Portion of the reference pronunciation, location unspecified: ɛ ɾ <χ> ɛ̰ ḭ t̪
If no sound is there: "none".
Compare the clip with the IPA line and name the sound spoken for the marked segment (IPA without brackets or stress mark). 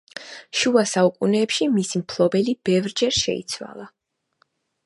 ʃ